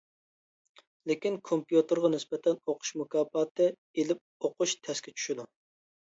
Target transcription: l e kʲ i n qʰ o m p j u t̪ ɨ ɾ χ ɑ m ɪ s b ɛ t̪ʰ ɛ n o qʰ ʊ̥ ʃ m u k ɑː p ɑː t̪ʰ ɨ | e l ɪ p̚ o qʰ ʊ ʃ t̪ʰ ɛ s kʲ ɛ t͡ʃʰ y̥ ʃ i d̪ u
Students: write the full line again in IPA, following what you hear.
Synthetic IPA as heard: l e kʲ i n kʰ o m p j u t̪ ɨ ɾ ʁ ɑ n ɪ s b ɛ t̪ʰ ɛ n o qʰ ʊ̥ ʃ m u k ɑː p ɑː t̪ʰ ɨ | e l ɪ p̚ o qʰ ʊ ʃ t̪ʰ ɛ s kʲ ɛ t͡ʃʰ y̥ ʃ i d̪ u

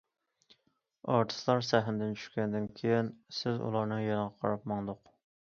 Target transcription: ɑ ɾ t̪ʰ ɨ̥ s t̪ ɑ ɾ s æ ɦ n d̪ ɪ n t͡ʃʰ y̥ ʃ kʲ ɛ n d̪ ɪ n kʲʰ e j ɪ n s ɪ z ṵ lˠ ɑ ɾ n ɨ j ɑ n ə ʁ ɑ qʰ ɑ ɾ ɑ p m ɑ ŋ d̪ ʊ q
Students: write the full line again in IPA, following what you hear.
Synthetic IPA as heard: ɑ ɾ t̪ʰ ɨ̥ s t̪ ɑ ɾ s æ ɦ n d̪ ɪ n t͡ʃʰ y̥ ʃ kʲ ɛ n d̪ ɪ n kʲʰ e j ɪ n s ɪ z ṵ lˠ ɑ ɾ n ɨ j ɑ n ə ʁ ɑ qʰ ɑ ɾ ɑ p m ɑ ŋ d̪ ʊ q

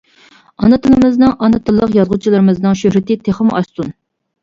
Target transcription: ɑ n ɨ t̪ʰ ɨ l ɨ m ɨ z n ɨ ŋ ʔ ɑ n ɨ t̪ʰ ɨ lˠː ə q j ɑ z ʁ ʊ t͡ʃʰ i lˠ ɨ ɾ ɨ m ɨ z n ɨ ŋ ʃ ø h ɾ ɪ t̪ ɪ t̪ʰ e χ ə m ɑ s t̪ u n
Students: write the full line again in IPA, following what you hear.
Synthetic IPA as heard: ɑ n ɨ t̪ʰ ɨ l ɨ m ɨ z n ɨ ŋ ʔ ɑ n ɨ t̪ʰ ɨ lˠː ə q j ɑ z ʁ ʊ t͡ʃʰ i lˠ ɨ ɾ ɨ m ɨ z n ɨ ŋ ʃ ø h ɾ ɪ t̪ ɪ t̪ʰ e χ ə m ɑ s t̪ u n

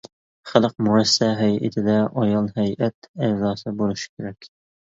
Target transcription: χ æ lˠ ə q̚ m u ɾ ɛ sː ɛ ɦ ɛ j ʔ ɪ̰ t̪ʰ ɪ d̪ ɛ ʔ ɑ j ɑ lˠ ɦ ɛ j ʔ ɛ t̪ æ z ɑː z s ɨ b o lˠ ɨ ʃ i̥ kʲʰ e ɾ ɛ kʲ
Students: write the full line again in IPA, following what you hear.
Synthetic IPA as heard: χ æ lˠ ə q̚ m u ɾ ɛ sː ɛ ɦ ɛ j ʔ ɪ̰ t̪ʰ ɪ d̪ ɛ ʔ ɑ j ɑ lˠ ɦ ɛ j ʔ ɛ t̪ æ z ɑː s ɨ b o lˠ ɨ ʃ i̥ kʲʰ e ɾ ɛ kʲ

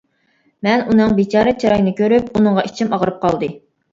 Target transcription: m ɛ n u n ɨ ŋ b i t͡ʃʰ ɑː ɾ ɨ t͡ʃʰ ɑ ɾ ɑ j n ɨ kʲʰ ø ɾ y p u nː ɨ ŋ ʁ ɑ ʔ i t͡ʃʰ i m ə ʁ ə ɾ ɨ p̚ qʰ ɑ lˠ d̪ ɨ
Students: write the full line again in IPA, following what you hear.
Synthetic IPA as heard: m ɛ n u n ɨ ŋ b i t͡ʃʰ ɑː ɾ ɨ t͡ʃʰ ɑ ɾ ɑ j n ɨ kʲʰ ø ɾ y p u n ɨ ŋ ʁ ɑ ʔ i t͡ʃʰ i m ɑ ʁ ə ɾ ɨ p̚ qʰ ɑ lˠ d̪ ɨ

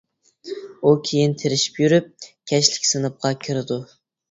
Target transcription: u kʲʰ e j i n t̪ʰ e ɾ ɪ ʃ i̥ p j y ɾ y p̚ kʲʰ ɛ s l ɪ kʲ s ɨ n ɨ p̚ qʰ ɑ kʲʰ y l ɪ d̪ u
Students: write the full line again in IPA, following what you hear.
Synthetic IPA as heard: u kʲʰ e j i n t̪ʰ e ɾ ɪ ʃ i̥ p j y ɾ y p̚ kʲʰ ɛ ʃ l ɪ kʲ s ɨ n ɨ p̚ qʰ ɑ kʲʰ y ɾ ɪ d̪ u

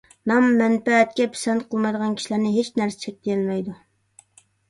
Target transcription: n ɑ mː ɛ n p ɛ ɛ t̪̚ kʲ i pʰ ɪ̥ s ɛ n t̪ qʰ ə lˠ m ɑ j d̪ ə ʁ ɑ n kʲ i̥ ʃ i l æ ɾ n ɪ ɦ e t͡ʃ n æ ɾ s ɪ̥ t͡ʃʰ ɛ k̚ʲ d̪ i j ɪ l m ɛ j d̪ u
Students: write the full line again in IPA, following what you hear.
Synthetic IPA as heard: n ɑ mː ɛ n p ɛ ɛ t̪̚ kʲ ɛ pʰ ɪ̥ s ɛ n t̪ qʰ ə lˠ m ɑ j d̪ ə ʁ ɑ n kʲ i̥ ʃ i l æ ɾ n ɪ ɦ e t͡ʃ n æ ɾ s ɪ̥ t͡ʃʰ ɛ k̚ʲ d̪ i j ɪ l m ɛ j d̪ u

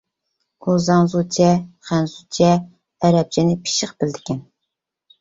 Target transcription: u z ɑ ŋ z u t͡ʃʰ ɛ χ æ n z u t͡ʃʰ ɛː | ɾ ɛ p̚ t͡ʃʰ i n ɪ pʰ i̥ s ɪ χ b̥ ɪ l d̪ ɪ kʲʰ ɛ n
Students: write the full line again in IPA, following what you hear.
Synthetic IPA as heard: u z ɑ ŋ z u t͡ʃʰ ɛ χ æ n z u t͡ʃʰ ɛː | ɾ ɛ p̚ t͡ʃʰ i n ɪ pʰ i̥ ʃ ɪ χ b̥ ɪ l d̪ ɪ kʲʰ ɛ n

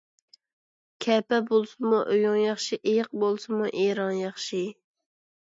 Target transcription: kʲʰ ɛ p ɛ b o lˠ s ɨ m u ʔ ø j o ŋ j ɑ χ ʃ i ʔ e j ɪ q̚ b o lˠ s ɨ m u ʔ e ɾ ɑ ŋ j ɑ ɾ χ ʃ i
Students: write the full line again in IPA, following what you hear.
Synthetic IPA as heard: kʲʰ ɛ p ɛ b o lˠ s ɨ m u ʔ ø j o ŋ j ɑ χ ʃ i ʔ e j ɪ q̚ b o lˠ s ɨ m u ʔ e ɾ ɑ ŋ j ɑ χ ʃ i

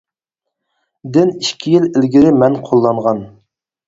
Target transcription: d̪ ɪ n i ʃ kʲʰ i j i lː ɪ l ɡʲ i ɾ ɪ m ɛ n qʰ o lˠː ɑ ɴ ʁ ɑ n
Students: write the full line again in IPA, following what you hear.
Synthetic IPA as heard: d̪ ɪ n i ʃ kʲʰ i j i l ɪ l ɡʲ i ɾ ɪ m ɛ n qʰ o lˠː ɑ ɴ ʁ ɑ n

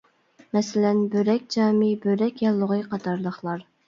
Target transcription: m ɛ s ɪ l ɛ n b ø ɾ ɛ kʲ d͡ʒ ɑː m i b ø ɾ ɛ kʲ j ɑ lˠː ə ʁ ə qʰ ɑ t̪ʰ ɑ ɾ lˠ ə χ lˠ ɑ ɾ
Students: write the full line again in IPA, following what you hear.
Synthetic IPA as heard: m ɛ s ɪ l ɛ n b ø ɾ ɛ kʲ d͡ʒ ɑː m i b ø ɾ ɛ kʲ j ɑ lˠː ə ʁ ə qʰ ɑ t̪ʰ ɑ ɾ lˠ ə χ lˠ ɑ ɾ

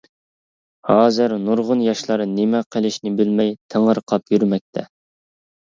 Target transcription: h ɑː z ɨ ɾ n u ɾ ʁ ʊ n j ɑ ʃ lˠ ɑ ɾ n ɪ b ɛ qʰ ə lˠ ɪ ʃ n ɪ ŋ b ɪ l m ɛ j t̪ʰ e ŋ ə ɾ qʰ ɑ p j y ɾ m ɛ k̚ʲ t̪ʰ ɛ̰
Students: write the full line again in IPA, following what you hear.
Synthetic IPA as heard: h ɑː z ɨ ɾ n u ɾ ʁ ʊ n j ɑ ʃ lˠ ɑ ɾ n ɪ m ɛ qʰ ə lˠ ɪ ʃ n ɪ b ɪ l m ɛ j t̪ʰ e ŋ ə ɾ qʰ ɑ p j y ɾ m ɛ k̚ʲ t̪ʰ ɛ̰

